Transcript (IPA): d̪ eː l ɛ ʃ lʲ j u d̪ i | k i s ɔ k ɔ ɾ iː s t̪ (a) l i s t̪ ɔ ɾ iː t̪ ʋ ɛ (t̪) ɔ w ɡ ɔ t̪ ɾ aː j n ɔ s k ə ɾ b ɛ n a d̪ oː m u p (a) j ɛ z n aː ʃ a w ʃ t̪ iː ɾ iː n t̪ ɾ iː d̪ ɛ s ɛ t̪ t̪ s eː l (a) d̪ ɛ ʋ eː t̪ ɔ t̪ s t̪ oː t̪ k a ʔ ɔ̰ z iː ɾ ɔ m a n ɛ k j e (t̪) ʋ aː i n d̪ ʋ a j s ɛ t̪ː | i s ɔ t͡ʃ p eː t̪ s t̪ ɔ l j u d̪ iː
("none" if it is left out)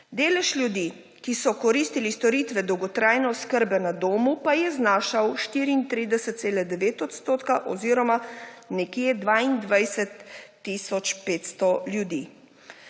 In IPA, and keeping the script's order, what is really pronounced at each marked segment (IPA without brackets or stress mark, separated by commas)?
i, d̪, a, ɛ, d̪